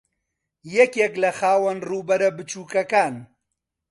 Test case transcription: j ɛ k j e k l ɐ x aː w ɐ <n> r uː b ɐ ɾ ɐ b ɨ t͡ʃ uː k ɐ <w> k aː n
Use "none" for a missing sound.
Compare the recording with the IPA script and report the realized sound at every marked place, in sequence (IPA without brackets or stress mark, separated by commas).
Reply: n, none